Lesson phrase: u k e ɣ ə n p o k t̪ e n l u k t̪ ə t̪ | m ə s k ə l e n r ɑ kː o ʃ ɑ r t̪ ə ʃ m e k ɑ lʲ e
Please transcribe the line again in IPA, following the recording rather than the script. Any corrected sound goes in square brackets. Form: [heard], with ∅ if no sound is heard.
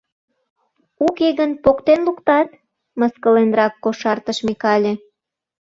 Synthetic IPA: u k e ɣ ə n p o k t̪ e n l u k t̪ [ɑ] t̪ | m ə s k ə l e n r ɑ kː o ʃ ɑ r t̪ ə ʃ m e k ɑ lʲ e